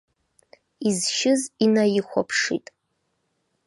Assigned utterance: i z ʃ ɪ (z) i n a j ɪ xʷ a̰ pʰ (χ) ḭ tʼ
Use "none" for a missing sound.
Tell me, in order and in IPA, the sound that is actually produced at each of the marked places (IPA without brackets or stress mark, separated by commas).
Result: z, ʂ